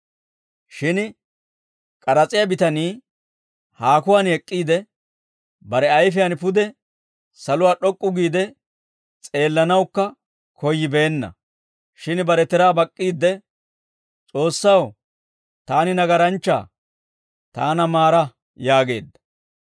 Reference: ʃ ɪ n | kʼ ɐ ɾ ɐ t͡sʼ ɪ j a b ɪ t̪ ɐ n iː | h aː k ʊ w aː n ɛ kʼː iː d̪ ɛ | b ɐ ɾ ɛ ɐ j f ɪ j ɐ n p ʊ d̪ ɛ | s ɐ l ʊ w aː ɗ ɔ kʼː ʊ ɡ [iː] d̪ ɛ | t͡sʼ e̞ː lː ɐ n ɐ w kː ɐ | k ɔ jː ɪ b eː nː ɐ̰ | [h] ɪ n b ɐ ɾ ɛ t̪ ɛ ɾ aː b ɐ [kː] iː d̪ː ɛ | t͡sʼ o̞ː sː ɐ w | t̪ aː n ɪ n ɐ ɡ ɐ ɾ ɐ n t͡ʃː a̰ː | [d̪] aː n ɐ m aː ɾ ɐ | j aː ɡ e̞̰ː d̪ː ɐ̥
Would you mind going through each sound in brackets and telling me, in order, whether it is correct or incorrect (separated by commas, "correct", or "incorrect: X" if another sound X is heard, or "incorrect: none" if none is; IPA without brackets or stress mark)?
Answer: correct, incorrect: ʃ, incorrect: kʼː, incorrect: t̪